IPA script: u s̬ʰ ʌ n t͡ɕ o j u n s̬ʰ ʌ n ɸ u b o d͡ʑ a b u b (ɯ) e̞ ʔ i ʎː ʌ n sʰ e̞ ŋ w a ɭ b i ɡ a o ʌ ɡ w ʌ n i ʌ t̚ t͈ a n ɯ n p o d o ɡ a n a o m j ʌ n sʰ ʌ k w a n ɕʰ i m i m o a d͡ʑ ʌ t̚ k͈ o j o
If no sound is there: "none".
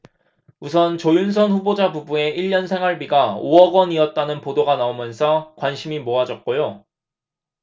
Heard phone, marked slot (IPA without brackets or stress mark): u